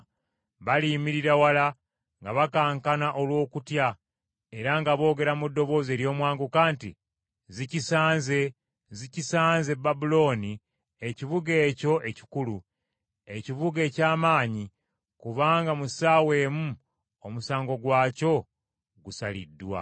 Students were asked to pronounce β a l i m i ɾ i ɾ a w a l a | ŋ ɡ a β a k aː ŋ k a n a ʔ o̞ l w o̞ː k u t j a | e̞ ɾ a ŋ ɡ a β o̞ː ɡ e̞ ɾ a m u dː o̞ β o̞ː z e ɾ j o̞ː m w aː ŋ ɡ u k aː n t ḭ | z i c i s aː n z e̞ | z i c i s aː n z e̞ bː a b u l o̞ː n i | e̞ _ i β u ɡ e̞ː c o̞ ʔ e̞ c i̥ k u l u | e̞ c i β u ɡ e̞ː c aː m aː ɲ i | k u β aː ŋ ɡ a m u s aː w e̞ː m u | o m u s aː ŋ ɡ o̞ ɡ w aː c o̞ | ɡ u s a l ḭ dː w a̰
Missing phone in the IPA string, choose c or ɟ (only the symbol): c